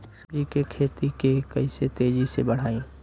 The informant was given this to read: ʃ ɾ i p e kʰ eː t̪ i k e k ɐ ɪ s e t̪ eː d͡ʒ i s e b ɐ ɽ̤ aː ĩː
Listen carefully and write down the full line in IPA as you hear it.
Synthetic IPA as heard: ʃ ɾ i k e kʰ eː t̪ i k e k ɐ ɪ s e t̪ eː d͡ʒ i s e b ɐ ɽ̤ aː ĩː